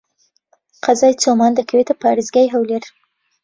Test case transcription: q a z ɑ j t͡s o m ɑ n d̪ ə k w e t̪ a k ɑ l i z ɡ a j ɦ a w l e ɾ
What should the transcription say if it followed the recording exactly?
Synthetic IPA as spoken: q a z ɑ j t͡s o m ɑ n d̪ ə k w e t̪ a p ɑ ɾ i z ɡ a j ɦ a w l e ɾ